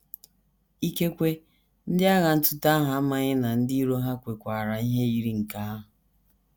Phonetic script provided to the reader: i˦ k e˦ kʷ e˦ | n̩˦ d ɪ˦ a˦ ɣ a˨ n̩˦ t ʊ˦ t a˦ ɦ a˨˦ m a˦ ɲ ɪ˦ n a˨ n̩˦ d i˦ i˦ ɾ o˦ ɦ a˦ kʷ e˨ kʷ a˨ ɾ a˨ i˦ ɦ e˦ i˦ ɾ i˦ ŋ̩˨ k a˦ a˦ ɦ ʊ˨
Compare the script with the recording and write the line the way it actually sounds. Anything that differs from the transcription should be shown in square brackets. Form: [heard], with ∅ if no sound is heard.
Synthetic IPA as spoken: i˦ k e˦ kʷ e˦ | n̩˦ d ɪ˦ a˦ ɣ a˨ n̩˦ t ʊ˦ t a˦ ɦ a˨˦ m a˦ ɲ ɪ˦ n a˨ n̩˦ d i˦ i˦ ɾ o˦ ɦ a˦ kʷ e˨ kʷ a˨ ɾ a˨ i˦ ɦ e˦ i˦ ɾ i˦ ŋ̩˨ k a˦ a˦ ɦ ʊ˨